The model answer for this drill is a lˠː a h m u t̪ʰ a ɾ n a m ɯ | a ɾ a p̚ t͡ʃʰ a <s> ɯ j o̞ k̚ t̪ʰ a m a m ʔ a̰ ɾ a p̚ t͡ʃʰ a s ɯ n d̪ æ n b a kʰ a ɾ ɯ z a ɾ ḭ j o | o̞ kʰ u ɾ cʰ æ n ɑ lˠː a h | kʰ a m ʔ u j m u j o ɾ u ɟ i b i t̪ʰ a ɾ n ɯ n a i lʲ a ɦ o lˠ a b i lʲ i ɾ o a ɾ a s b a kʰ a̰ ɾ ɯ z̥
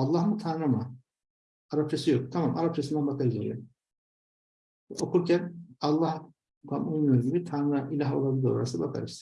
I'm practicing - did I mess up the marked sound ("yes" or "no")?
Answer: no